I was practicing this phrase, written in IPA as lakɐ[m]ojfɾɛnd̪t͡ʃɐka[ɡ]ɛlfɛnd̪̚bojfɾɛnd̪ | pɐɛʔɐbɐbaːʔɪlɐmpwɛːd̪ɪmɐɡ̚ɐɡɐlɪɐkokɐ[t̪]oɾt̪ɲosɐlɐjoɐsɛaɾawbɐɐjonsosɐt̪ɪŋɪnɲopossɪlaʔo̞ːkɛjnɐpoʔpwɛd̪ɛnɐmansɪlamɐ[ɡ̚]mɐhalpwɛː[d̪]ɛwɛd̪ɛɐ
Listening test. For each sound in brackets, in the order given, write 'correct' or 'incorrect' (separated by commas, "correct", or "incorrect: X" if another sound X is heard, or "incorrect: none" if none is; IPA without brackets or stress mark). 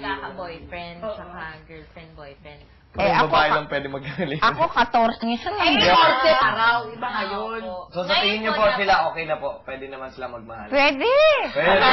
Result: incorrect: b, correct, correct, correct, correct